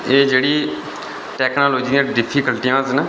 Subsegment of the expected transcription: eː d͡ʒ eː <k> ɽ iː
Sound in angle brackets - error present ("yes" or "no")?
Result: yes